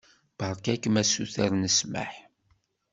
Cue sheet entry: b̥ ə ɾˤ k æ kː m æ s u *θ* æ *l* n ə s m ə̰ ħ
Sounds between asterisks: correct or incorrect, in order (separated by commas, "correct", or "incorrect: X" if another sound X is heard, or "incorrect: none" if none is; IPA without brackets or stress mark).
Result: correct, incorrect: ɾ